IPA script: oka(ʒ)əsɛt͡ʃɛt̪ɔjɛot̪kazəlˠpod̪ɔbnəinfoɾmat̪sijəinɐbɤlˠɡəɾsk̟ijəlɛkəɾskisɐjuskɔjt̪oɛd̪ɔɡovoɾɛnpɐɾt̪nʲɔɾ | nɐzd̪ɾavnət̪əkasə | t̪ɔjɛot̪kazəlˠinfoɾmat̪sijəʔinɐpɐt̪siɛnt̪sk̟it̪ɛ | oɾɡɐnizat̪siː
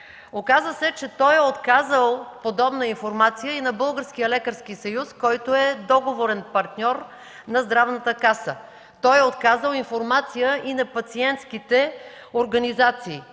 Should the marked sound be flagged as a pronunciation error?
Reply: yes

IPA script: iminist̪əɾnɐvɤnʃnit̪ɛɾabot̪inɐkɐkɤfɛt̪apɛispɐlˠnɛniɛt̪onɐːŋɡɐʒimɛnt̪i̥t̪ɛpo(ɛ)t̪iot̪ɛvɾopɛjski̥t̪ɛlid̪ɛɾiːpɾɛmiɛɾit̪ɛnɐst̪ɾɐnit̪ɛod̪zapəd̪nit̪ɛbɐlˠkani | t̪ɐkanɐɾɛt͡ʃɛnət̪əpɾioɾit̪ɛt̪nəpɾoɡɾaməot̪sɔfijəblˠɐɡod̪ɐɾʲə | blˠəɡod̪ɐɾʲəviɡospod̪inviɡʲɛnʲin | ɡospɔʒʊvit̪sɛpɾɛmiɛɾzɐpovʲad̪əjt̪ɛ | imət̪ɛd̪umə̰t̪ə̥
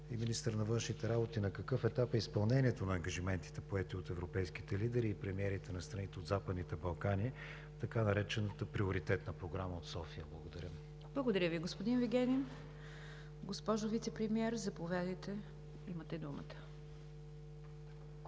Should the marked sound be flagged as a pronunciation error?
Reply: no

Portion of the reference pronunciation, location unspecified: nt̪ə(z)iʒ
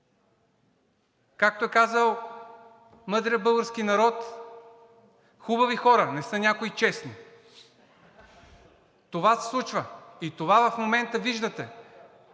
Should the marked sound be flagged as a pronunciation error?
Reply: yes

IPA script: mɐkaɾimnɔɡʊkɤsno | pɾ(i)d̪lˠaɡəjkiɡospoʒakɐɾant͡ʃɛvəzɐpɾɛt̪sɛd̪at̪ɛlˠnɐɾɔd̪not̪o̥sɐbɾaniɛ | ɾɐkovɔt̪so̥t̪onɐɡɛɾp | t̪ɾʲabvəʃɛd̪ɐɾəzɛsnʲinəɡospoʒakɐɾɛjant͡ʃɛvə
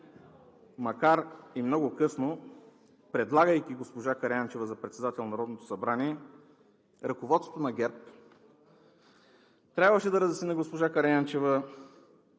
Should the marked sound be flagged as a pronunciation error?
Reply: yes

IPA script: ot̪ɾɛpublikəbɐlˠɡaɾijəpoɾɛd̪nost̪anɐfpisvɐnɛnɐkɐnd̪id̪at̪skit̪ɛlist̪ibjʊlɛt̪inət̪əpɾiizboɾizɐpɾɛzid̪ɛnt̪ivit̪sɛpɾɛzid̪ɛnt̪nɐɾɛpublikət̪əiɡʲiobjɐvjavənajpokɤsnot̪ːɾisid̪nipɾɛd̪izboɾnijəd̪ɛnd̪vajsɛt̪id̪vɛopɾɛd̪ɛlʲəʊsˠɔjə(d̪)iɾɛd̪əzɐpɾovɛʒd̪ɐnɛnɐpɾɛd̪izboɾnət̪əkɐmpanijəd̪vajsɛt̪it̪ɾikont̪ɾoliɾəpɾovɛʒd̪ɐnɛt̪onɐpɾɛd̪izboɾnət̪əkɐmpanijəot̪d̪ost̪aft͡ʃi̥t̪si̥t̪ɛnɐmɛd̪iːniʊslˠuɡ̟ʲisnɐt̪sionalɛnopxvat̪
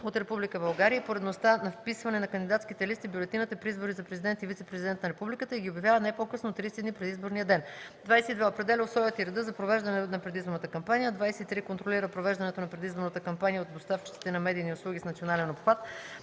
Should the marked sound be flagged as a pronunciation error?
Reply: yes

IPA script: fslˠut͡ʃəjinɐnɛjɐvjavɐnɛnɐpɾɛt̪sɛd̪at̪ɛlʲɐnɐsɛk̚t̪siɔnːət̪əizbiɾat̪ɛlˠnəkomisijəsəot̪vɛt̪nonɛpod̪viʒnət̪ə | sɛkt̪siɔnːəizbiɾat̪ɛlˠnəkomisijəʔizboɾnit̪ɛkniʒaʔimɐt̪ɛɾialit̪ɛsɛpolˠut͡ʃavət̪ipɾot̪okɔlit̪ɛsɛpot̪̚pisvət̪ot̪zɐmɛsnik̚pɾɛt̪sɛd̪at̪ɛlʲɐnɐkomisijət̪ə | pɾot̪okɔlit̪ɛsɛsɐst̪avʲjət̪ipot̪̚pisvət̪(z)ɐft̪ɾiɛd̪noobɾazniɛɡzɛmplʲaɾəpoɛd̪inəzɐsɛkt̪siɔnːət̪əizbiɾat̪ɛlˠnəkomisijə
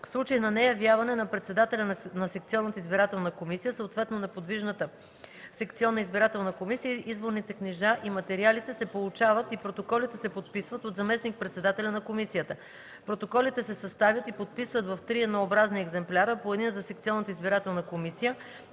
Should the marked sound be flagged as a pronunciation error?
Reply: yes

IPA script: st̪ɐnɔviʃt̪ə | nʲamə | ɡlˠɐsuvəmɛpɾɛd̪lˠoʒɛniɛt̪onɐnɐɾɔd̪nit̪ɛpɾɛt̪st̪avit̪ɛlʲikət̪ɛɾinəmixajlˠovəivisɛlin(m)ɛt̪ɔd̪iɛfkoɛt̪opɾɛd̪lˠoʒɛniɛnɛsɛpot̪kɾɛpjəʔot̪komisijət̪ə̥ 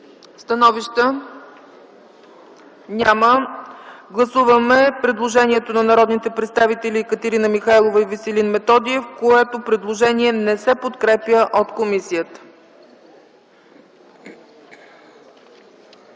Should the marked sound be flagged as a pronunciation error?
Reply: no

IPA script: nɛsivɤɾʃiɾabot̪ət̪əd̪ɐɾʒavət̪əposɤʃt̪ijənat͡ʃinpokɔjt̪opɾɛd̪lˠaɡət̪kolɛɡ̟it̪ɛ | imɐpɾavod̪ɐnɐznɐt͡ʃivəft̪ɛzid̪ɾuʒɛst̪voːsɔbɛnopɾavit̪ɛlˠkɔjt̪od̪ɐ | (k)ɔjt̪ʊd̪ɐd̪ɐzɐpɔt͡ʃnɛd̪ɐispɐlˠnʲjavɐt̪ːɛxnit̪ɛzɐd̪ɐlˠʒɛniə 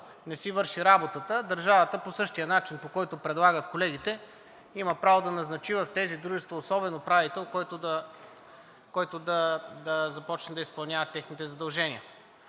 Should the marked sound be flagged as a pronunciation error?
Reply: no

